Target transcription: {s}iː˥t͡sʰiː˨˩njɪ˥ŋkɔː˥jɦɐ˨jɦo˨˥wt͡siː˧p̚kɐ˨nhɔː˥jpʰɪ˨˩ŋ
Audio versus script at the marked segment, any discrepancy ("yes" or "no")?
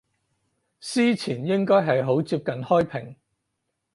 no